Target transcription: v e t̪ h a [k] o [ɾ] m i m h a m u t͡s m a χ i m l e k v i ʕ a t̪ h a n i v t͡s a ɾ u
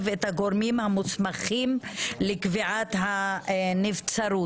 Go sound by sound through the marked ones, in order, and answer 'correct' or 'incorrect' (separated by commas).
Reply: incorrect, correct